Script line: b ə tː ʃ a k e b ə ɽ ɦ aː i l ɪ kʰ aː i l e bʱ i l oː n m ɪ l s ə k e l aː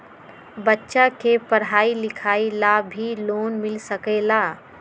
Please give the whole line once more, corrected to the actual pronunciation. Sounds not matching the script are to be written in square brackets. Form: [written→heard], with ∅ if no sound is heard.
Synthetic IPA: b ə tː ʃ a k e [b→p] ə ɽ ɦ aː i l ɪ kʰ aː i l [e→a] bʱ i l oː n m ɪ l s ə k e l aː